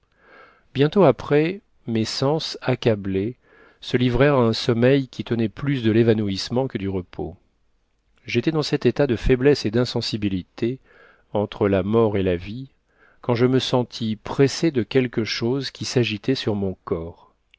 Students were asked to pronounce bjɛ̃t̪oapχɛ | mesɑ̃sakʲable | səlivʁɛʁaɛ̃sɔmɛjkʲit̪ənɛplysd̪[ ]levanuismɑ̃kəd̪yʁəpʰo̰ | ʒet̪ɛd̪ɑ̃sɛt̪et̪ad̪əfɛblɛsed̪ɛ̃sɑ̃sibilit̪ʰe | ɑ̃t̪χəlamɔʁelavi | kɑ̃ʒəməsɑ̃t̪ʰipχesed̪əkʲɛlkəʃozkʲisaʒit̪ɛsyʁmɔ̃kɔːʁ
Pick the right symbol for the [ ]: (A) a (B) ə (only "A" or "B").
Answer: B